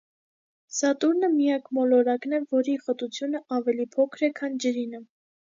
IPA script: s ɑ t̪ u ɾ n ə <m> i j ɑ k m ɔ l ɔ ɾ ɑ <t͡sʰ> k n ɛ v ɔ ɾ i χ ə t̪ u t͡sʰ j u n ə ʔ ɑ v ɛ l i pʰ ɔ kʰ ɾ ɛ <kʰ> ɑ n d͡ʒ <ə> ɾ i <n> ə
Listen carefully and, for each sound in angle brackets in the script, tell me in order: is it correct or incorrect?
correct, incorrect, correct, correct, correct

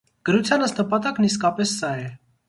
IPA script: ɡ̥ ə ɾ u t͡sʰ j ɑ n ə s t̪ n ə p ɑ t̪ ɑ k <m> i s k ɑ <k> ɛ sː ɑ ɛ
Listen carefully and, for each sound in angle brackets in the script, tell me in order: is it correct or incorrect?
incorrect, incorrect

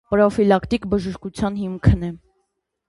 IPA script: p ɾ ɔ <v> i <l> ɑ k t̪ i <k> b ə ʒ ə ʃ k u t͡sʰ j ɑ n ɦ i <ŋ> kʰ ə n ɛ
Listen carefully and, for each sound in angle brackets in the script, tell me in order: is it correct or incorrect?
incorrect, correct, correct, incorrect

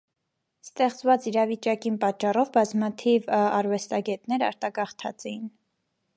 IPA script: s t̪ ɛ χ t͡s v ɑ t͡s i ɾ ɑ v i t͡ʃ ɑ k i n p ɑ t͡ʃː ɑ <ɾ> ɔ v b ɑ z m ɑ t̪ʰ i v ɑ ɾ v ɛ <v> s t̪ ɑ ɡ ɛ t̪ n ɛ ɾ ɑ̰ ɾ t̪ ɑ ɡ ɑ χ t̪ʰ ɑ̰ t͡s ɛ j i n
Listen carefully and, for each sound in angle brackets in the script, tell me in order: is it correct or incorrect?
incorrect, incorrect

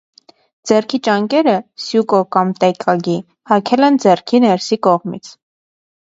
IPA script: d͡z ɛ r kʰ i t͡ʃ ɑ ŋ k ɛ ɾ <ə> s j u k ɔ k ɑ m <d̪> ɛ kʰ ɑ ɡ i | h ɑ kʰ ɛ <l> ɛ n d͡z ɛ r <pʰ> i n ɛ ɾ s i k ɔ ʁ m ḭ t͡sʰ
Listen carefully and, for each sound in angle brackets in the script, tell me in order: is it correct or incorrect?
correct, incorrect, correct, incorrect

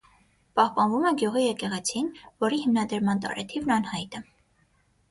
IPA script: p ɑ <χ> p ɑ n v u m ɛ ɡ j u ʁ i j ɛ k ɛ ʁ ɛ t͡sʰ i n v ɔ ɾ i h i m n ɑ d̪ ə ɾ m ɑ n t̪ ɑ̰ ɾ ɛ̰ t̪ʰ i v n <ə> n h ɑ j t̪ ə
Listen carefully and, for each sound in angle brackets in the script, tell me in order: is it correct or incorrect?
incorrect, incorrect

